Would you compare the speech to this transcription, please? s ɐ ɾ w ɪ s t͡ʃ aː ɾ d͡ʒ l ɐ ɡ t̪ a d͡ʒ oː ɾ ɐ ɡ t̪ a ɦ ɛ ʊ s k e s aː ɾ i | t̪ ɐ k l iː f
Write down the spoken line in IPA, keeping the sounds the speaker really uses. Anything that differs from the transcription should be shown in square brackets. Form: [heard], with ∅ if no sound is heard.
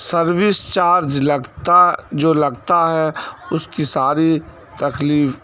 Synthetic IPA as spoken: s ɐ ɾ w ɪ s t͡ʃ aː ɾ d͡ʒ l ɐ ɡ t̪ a d͡ʒ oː [l] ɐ ɡ t̪ a ɦ ɛ ʊ s k [i] s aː ɾ i | t̪ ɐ k l iː f